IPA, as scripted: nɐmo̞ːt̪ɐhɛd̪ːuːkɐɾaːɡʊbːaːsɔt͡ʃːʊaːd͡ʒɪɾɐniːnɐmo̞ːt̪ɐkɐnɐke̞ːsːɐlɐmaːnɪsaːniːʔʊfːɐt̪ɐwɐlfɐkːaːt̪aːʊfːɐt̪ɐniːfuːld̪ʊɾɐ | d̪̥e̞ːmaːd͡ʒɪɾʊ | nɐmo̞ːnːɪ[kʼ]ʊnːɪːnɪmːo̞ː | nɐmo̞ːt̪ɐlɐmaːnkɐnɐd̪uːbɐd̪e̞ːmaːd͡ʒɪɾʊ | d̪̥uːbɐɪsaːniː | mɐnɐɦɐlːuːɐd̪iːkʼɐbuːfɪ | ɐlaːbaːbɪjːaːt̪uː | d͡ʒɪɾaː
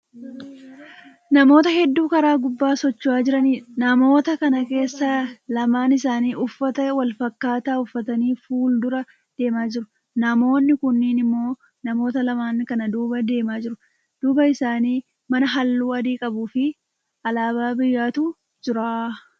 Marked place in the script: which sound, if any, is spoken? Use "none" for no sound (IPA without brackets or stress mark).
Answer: k